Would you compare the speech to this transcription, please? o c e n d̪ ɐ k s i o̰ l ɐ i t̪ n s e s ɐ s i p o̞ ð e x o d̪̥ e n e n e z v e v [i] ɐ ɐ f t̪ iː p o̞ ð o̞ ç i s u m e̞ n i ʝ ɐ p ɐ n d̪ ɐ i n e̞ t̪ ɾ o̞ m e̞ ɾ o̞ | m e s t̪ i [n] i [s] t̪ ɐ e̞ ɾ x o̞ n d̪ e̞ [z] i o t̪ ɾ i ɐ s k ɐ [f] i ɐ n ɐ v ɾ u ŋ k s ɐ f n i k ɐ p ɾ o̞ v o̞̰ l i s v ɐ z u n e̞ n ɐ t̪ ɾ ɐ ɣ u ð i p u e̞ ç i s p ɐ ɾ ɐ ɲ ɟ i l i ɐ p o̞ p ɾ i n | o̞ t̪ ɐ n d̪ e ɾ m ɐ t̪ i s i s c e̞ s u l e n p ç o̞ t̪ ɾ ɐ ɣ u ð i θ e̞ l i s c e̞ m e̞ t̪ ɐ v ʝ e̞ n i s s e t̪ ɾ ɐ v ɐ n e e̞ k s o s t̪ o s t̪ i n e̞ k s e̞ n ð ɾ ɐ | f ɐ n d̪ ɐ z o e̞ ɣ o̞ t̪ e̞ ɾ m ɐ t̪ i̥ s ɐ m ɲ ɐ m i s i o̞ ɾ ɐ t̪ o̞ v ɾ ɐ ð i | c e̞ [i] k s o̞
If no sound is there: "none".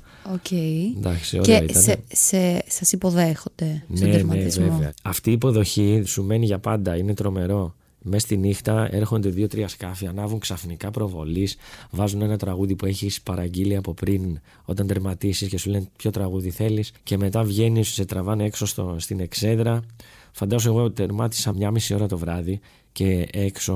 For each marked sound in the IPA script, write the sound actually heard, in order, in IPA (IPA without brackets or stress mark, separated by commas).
e, n, x, ð, f, e